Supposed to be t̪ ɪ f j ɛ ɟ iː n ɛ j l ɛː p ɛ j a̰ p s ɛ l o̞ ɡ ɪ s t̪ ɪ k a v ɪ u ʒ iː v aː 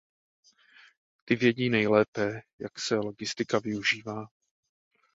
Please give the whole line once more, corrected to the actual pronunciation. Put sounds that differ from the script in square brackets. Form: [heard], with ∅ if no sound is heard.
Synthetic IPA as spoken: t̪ ɪ [v] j ɛ ɟ iː n ɛ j l ɛː p ɛ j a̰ [k] s ɛ l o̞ ɡ ɪ s t̪ ɪ k a v ɪ u ʒ iː v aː